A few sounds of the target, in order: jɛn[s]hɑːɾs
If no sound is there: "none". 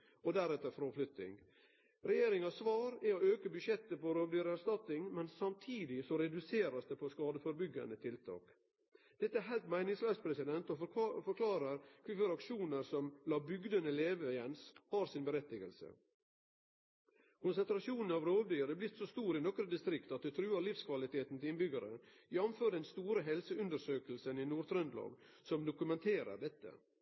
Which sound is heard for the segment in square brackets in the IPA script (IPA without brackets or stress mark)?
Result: s